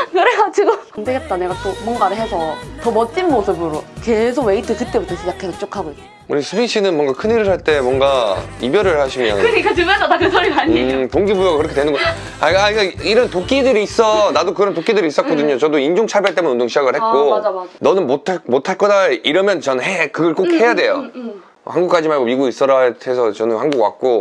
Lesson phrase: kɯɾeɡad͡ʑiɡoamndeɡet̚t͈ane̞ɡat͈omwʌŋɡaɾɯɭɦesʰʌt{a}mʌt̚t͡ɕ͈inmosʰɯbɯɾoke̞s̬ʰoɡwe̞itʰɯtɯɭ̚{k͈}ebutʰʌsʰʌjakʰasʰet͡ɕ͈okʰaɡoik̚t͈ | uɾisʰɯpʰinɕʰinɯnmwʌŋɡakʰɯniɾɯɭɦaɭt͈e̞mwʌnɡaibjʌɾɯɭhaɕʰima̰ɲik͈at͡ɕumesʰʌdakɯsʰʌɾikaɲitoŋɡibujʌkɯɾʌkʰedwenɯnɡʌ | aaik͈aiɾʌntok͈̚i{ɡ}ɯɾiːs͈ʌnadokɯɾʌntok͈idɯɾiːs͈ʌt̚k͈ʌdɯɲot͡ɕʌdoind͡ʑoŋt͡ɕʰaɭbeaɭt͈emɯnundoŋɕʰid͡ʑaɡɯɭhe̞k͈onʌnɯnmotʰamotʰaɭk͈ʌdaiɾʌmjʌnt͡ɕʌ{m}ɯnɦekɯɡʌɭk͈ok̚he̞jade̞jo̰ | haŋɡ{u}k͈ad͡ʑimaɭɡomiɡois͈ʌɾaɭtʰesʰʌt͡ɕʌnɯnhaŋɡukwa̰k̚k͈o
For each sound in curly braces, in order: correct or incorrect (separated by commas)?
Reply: incorrect, incorrect, incorrect, incorrect, correct